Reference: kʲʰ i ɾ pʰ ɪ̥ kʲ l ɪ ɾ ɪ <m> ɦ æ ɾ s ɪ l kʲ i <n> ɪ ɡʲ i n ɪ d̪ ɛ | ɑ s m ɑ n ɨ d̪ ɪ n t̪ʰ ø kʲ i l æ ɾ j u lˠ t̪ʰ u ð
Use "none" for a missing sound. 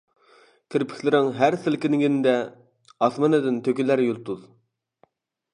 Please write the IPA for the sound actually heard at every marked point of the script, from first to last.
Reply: ŋ, n

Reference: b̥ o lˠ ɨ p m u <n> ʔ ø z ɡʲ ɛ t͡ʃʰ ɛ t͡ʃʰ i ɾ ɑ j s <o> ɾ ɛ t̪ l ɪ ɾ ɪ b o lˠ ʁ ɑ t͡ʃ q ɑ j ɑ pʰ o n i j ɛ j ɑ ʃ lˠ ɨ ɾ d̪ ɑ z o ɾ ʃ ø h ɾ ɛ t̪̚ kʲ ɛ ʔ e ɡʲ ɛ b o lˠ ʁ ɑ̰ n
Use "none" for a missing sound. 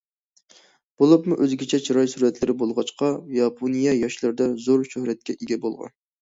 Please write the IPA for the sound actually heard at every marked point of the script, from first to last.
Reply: none, u

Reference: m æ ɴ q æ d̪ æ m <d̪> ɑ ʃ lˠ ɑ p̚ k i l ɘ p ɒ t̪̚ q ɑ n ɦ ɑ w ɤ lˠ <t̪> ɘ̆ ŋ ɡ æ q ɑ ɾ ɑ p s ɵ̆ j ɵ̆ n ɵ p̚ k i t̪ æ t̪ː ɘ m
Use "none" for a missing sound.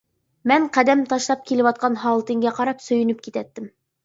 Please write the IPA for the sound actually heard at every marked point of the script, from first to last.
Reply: t̪, t̪

